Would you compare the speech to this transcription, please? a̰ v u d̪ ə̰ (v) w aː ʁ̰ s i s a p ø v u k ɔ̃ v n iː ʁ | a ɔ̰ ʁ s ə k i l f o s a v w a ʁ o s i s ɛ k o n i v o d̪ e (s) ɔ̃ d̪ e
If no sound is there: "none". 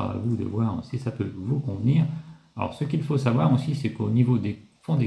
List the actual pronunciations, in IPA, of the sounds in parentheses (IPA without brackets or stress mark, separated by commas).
v, f